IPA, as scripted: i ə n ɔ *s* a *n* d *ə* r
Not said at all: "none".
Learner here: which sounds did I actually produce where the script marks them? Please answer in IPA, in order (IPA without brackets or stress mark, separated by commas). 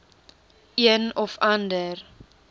f, n, ə